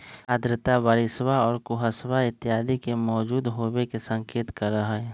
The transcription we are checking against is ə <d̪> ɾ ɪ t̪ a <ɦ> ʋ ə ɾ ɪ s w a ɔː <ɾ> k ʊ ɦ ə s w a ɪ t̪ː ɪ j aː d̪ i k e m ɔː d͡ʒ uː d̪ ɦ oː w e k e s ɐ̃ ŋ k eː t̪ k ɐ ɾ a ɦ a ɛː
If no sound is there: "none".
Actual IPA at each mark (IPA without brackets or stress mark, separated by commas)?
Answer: d̪, none, ɾ